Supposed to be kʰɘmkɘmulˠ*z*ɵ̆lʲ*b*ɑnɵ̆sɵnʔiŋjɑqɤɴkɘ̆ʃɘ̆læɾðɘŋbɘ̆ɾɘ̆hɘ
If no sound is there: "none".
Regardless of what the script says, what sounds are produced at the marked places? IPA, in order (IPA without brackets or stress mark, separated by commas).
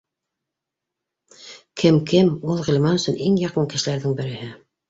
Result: ʁ, m